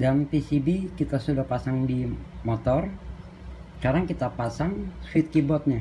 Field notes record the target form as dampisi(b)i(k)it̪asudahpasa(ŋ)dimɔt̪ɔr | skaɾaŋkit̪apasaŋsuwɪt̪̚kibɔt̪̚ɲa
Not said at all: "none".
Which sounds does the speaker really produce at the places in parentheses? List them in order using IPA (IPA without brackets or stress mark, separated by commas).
b, k, ŋ